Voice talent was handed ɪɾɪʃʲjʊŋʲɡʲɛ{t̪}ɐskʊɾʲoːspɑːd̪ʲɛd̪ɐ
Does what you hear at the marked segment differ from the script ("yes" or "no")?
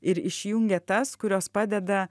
no